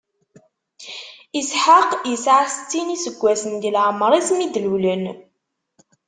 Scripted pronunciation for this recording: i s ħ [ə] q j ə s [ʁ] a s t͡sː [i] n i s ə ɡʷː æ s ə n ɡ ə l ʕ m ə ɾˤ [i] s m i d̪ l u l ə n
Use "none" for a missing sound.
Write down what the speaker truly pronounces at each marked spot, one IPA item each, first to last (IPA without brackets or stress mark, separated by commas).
a, ʕ, i, i